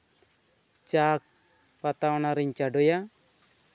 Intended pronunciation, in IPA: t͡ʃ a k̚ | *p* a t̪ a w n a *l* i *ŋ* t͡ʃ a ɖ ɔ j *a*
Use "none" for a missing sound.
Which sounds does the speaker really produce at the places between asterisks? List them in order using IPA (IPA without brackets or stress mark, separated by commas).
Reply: p, ɾ, ɲ, a